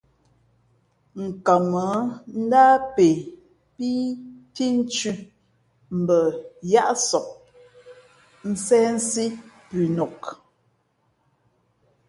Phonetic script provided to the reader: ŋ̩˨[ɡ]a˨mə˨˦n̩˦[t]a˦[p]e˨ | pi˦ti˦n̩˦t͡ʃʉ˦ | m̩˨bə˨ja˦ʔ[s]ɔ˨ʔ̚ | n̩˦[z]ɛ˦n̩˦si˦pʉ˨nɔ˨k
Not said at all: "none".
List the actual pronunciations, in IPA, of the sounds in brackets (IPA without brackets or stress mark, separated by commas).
k, d, p, s, s